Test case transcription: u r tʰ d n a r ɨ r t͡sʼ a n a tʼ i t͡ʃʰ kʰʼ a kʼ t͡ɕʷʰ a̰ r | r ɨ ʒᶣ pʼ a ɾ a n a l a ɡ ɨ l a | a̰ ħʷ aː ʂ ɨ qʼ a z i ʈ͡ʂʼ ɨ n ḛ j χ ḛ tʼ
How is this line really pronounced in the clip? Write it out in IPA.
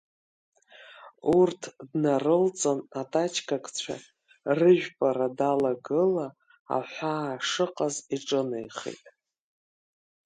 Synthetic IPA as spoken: u r tʰ d n a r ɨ l t͡sʼ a n a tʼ a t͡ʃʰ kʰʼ a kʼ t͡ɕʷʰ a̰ | r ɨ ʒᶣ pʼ a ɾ a d a l a ɡ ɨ l a | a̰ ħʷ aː ʂ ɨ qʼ a z i ʈ͡ʂʼ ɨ n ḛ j χ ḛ tʼ